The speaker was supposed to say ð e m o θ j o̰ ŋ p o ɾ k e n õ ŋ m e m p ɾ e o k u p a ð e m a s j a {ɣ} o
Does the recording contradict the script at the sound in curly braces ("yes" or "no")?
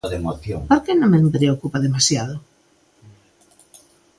yes